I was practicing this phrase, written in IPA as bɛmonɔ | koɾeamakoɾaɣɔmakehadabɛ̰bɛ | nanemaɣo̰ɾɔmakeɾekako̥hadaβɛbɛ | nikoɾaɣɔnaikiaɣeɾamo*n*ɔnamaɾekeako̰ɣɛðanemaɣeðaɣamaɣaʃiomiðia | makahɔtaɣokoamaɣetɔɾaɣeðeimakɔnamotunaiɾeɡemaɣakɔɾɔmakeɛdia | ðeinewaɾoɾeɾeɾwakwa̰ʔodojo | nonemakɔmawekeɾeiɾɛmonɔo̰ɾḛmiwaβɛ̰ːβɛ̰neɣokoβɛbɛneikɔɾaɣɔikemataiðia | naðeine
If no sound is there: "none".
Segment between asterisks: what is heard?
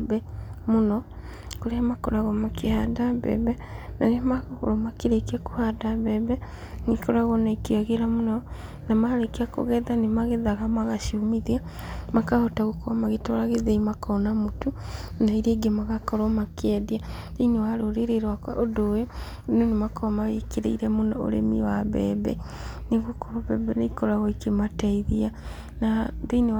n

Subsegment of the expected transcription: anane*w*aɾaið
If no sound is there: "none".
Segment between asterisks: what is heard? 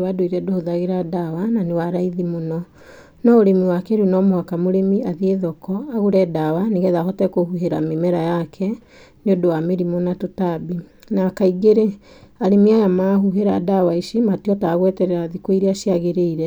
w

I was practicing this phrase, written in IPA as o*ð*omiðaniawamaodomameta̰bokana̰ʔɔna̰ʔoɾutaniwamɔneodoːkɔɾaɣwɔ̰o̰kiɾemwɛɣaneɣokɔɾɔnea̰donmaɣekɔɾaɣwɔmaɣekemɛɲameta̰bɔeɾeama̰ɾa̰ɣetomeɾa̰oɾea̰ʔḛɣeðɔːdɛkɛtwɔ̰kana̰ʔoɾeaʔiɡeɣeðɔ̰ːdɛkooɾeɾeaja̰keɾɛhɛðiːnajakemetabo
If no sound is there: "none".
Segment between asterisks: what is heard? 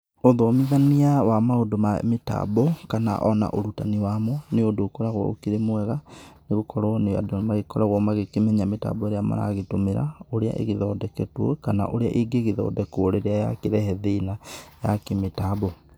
ð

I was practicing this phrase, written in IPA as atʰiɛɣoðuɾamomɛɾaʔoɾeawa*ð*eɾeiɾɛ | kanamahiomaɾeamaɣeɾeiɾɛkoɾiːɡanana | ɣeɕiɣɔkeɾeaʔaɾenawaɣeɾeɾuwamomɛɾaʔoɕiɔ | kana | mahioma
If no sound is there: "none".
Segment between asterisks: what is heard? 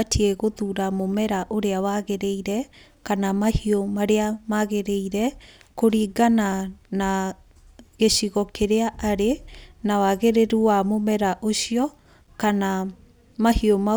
ɣ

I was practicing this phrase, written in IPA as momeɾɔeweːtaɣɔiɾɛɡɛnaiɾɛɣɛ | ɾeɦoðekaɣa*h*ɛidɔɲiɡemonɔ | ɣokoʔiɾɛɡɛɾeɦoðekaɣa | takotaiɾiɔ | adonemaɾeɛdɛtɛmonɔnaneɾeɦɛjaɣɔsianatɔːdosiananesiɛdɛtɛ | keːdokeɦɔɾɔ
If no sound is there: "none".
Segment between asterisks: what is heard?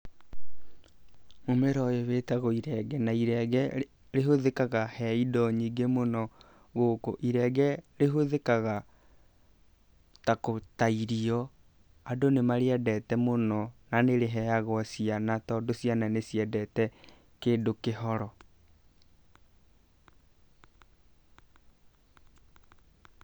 h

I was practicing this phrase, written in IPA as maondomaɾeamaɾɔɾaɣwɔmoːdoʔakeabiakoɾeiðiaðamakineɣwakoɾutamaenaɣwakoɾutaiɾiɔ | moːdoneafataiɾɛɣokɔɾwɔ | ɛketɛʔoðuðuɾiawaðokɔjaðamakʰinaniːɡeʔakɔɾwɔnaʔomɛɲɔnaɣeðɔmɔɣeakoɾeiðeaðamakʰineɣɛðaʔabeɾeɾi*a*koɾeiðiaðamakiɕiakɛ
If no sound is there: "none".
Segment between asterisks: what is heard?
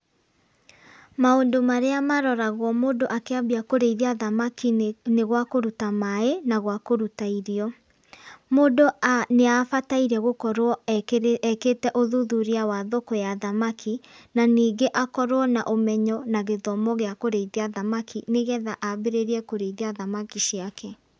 ɛ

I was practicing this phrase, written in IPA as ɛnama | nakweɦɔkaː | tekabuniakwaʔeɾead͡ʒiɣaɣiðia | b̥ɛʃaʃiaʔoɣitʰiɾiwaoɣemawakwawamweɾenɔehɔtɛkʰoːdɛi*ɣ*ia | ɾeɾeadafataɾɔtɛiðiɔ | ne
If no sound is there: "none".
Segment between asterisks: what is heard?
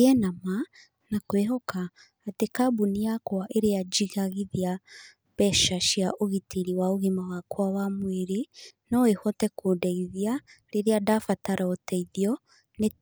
ð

